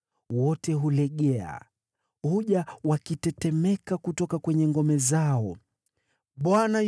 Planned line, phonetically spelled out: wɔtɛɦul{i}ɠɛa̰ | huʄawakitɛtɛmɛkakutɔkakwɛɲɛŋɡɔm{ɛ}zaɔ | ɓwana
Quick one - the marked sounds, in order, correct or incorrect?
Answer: incorrect, correct

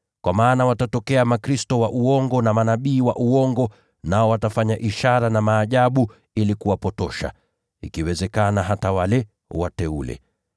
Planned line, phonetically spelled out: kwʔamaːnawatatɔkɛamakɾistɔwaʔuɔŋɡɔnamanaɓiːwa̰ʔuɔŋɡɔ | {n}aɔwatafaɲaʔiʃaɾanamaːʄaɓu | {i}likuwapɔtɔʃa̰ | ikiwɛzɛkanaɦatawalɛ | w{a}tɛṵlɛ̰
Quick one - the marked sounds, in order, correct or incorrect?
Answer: correct, correct, correct

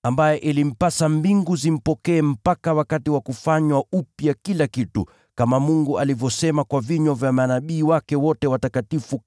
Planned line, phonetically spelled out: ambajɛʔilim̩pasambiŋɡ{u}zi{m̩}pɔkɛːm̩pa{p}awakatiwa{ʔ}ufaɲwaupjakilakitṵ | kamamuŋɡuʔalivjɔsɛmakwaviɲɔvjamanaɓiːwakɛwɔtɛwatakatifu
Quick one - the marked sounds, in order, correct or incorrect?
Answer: correct, correct, incorrect, incorrect

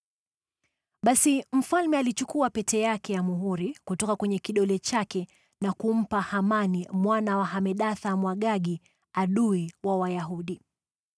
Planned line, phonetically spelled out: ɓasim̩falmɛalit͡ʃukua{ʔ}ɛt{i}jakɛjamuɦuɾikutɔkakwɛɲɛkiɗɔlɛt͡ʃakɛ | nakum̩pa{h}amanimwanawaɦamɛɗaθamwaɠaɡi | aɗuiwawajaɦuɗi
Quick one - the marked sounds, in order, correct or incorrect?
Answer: incorrect, incorrect, correct

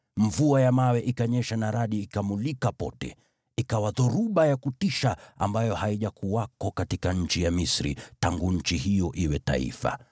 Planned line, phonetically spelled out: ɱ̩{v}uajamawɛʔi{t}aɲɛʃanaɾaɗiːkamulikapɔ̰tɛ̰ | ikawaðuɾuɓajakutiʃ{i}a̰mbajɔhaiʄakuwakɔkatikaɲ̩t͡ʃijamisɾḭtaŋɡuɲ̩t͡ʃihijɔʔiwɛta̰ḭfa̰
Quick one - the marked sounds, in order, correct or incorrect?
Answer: correct, incorrect, incorrect

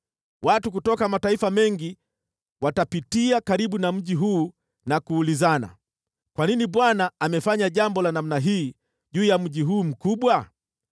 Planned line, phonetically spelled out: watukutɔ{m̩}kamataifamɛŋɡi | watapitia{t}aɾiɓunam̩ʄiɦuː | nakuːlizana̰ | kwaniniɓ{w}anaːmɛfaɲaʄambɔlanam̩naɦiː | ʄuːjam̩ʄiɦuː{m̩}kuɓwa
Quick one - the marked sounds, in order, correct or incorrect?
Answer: incorrect, incorrect, correct, correct

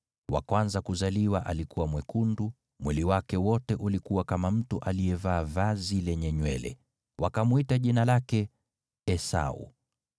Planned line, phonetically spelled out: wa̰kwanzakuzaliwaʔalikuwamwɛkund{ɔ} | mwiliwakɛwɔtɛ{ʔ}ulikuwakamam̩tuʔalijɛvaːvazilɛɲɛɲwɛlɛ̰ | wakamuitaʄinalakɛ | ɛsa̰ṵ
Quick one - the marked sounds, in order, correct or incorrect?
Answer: incorrect, correct

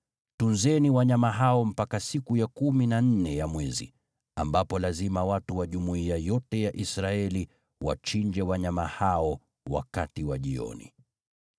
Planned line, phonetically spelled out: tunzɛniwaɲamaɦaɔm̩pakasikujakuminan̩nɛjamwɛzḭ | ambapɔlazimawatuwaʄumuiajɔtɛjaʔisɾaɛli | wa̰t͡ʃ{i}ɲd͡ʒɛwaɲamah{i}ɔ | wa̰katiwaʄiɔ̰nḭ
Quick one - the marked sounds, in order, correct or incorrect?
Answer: correct, incorrect

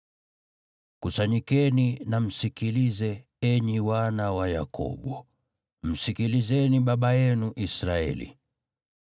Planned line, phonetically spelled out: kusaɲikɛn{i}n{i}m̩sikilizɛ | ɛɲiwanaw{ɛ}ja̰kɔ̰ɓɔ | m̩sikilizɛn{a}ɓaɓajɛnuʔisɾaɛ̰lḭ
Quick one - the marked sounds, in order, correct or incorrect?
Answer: correct, incorrect, incorrect, incorrect

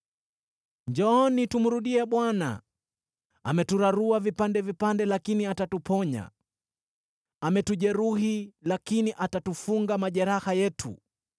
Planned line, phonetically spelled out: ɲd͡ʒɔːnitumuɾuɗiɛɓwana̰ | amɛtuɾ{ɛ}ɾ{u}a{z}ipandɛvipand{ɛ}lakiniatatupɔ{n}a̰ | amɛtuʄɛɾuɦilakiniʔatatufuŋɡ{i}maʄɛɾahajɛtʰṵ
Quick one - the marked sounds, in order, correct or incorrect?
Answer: incorrect, correct, incorrect, correct, incorrect, incorrect

